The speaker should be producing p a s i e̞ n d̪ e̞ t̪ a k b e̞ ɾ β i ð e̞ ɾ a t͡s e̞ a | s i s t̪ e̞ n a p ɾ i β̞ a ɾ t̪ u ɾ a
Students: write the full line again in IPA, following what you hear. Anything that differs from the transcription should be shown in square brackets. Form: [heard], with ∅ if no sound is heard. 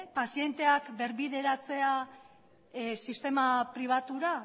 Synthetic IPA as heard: p a s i e̞ n [t̪] e̞ [∅] a k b e̞ ɾ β i ð e̞ ɾ a t͡s e̞ a | s i s t̪ e̞ [m] a p ɾ i β̞ a [∅] t̪ u ɾ a